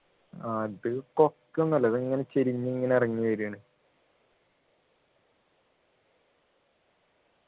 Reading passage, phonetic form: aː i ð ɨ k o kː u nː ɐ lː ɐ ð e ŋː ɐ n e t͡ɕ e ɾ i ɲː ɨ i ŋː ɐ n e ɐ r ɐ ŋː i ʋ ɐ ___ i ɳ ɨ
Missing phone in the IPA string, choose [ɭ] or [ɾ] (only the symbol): ɾ